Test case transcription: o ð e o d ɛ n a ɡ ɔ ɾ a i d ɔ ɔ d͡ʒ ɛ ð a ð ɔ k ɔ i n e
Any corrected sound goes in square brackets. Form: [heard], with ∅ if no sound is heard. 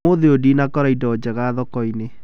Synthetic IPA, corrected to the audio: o ð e o d [i] n a [k] ɔ ɾ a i d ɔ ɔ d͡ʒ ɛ [ɣ] a ð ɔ k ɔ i n e